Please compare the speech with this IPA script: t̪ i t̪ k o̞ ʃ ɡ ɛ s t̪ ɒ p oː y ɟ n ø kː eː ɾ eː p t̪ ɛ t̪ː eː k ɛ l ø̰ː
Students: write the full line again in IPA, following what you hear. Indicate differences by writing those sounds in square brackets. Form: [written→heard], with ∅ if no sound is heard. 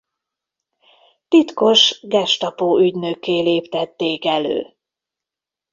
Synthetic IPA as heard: t̪ i t̪ k o̞ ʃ ɡ ɛ [s→ʃ] t̪ ɒ p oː y ɟ n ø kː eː [ɾ→l] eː p t̪ ɛ t̪ː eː k ɛ l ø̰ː